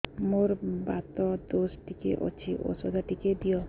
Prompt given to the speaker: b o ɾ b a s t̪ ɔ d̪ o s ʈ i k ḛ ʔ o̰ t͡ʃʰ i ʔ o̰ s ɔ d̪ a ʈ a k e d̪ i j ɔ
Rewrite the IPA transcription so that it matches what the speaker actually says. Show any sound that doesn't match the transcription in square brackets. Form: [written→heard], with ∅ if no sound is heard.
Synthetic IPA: [b→m] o ɾ b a [s→∅] t̪ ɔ d̪ o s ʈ i k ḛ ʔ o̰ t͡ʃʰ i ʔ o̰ s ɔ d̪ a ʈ [a→i] k e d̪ i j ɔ

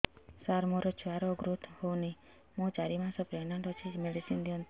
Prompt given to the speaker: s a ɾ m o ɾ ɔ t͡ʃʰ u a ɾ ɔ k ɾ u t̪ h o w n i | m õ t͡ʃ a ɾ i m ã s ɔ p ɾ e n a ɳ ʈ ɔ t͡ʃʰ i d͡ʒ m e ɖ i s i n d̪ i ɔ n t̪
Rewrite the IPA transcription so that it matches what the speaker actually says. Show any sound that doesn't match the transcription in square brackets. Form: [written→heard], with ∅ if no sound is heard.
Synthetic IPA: s a ɾ m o ɾ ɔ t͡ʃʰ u a ɾ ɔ [k→ɡ] ɾ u t̪ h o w n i | m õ t͡ʃ a ɾ i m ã s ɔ p ɾ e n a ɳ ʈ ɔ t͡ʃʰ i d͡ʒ m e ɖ i s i n d̪ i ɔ n t̪

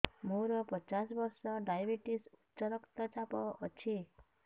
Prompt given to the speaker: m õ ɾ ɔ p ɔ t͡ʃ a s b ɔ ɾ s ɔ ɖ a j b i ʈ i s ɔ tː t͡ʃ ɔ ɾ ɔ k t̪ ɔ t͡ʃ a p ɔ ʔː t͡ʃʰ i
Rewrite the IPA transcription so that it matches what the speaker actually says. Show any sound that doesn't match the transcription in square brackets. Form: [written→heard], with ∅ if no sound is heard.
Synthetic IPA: m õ ɾ ɔ p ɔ t͡ʃ a s b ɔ ɾ s ɔ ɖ a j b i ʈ i s [ɔ→u] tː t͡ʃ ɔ ɾ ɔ k t̪ ɔ t͡ʃ a p ɔ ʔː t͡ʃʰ i

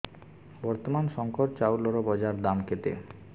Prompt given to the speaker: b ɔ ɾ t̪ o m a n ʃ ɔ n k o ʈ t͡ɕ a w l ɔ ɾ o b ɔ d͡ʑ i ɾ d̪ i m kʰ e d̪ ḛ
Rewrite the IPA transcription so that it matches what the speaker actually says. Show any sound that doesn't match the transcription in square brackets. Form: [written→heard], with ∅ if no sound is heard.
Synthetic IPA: b ɔ ɾ t̪ o m a n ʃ ɔ [n→ŋ] k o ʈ t͡ɕ a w l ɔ ɾ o b ɔ d͡ʑ [i→a] ɾ d̪ [i→a] m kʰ e [d̪→t̪] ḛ

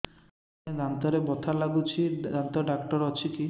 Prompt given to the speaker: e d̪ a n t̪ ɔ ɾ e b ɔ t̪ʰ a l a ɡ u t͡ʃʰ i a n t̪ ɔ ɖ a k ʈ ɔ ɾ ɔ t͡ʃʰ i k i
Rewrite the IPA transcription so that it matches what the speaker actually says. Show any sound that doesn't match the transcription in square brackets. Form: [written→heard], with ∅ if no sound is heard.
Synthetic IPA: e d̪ a n t̪ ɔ ɾ e b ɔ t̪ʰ a l a ɡ u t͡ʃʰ i a n t̪ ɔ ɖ a k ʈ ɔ ɾ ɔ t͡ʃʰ i k i

